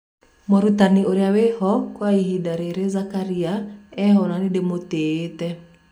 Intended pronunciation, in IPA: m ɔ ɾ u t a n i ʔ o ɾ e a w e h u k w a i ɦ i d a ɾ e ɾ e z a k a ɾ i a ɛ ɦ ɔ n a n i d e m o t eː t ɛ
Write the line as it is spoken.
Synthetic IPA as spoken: m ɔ ɾ u t a n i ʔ o ɾ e a w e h ɔ k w a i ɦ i d a ɾ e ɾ e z a k a ɾ i a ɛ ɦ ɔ n a n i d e m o t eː t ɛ